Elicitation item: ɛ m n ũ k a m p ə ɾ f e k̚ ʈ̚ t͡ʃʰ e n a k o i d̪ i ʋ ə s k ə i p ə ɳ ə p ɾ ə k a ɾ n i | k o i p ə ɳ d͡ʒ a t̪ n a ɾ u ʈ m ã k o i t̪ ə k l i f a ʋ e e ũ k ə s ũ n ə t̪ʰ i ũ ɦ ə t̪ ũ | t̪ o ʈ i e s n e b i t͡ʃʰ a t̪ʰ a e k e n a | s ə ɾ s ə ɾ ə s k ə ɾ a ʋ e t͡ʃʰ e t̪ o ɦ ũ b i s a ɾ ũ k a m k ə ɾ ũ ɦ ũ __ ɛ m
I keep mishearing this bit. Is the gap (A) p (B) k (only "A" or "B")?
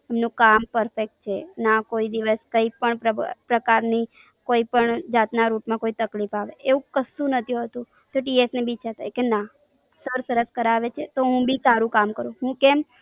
B